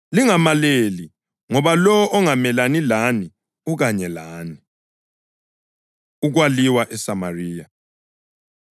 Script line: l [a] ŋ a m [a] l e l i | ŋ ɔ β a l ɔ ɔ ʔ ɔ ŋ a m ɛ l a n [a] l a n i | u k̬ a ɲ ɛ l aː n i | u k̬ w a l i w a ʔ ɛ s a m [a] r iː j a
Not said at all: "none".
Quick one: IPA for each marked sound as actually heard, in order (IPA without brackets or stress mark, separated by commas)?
i, a, i, a